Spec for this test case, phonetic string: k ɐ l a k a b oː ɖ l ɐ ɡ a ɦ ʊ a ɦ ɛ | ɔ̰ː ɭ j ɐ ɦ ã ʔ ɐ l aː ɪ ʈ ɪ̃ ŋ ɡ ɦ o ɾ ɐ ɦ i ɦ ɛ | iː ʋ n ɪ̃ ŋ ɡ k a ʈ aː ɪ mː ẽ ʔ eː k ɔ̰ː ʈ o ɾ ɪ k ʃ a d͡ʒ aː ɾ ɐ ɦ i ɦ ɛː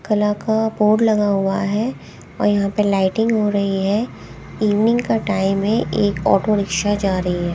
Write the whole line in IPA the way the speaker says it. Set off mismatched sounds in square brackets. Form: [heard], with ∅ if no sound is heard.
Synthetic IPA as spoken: k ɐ l a k a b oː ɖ l ɐ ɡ a ɦ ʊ a ɦ ɛ | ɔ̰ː [ɾ] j ɐ ɦ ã [p] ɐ l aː ɪ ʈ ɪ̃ ŋ ɡ ɦ o ɾ ɐ ɦ i ɦ ɛ | iː ʋ n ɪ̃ ŋ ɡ k a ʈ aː ɪ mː ẽ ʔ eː k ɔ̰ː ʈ o ɾ ɪ k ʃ a d͡ʒ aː ɾ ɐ ɦ i ɦ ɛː